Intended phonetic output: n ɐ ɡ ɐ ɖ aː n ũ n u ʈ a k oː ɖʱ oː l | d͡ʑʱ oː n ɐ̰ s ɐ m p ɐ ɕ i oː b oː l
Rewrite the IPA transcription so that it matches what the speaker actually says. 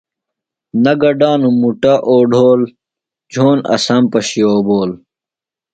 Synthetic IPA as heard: n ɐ ɡ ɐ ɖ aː n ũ m u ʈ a ʔ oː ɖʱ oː l | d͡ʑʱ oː n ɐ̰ s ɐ m p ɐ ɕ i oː b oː l